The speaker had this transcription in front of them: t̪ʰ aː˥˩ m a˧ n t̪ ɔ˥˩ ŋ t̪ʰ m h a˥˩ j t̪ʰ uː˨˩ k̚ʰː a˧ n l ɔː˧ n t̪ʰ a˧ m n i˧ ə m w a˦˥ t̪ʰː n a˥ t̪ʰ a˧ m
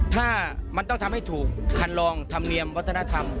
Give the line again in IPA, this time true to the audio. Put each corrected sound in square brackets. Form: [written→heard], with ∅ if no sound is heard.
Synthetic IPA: t̪ʰ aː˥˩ m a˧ n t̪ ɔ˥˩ ŋ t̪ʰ m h a˥˩ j t̪ʰ uː˨˩ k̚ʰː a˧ n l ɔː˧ [n→ŋ] t̪ʰ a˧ m n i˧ ə m w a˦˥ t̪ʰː n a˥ t̪ʰ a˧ m